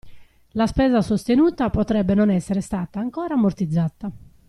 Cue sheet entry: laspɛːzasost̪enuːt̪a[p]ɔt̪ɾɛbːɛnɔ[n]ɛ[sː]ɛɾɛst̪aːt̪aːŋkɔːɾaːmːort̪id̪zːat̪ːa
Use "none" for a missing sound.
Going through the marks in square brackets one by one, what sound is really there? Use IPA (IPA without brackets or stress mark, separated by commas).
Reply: p, n, sː